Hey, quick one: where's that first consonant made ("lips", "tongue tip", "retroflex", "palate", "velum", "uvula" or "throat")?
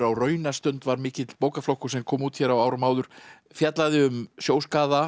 tongue tip